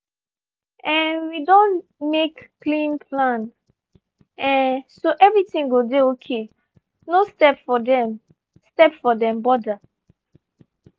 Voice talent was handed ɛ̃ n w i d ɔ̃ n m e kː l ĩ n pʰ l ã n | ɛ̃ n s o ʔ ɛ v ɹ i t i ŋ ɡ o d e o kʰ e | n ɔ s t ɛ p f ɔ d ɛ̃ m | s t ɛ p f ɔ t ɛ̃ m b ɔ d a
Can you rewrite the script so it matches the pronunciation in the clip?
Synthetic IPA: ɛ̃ n w i d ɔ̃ n m e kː l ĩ n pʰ l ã n | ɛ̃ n s o ʔ ɛ v ɹ i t ĩ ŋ ɡ o d e o kʰ e | n o s t ɛ p f ɔ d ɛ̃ m | s t ɛ p f ɔ d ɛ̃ m b ɔ d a